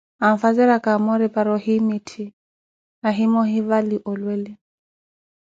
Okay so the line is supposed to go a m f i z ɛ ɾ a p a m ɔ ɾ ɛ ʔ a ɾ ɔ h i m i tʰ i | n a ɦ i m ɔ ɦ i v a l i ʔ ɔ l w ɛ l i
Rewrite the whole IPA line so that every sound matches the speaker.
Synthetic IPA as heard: a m f a z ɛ ɾ a k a m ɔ ɾ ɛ p a ɾ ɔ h i m i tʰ i | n a ɦ i m ɔ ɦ i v a l i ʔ ɔ l w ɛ l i